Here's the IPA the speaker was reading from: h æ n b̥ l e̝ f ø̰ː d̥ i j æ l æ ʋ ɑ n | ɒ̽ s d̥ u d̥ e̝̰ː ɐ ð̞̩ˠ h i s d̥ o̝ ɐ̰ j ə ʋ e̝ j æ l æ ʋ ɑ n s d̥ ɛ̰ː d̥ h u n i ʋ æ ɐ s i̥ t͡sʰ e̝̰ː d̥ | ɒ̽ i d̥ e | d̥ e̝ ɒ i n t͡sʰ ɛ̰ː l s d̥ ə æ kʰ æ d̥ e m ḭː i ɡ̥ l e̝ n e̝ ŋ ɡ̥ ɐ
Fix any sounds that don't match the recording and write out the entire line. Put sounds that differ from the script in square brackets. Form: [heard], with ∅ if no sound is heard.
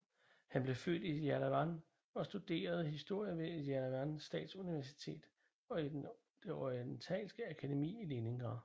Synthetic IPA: h æ n b̥ l e̝ f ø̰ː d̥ i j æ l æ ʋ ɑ n | ɒ̽ s d̥ u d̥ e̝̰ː ɐ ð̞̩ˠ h i s d̥ o̝ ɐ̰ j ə ʋ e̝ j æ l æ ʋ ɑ n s d̥ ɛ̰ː d̥ [s] u n i ʋ æ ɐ s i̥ t͡sʰ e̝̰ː d̥ | ɒ̽ i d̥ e | d̥ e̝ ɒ i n t͡sʰ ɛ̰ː l s [ɡ̥] ə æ kʰ æ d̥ e m ḭː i [∅] l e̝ n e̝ ŋ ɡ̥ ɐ